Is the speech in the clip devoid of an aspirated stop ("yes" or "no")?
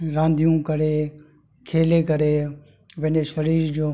no